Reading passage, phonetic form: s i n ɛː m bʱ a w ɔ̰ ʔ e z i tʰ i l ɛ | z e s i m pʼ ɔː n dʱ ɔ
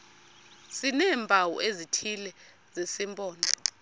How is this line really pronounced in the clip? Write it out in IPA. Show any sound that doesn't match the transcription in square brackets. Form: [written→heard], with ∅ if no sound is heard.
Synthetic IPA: s i n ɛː m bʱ a w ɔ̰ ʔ e z i tʰ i l ɛ | z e s i m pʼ ɔː n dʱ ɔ